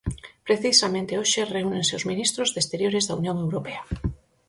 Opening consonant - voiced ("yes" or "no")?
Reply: no